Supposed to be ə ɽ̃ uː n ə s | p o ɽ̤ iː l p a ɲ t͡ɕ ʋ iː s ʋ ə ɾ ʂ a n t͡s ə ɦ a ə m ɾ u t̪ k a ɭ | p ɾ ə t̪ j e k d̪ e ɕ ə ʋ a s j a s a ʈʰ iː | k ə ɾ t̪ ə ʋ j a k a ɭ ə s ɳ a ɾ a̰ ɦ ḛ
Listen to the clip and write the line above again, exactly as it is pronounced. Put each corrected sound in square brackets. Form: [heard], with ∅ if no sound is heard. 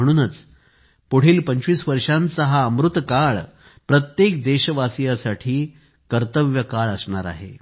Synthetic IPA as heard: ə ɽ̃ uː n ə [t͡s] | p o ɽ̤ iː l p [ə] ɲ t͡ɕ ʋ iː s ʋ ə ɾ ʂ a n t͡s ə ɦ a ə m ɾ u t̪ k a ɭ | p ɾ ə t̪ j e k d̪ e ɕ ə ʋ a s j a s a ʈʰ iː | k ə ɾ t̪ ə ʋ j [ə] k a ɭ ə s ɳ a ɾ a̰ ɦ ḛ